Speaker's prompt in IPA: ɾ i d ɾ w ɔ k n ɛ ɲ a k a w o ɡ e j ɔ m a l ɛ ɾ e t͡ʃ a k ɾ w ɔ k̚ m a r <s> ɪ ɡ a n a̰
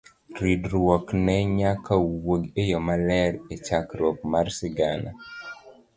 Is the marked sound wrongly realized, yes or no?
no